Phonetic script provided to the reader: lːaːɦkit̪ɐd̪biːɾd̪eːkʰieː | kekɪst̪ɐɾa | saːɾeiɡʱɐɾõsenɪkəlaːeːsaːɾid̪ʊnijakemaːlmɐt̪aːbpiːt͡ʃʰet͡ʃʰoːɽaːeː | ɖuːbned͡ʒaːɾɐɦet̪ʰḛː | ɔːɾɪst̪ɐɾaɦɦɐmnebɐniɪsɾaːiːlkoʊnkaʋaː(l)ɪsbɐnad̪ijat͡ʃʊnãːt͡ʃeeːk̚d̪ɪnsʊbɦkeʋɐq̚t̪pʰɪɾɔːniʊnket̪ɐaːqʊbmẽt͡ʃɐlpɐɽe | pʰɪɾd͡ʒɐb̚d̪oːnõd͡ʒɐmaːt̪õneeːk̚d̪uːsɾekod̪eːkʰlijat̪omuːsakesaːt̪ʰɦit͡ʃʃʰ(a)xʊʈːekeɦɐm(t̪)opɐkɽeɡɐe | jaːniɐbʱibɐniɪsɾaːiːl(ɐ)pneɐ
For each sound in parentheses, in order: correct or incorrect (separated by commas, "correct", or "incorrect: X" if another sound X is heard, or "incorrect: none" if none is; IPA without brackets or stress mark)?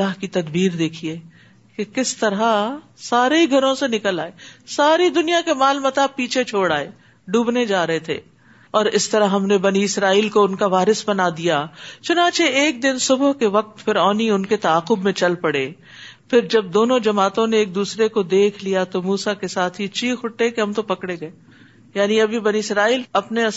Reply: incorrect: ɾ, incorrect: i, correct, correct